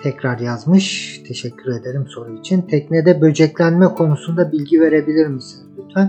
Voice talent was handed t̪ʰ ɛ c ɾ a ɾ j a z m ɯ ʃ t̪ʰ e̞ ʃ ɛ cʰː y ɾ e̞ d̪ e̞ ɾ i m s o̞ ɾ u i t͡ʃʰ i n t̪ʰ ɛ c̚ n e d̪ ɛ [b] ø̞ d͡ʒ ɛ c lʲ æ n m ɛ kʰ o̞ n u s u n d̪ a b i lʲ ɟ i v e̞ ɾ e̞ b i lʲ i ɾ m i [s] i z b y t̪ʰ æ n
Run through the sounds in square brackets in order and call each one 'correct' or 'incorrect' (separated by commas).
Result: correct, correct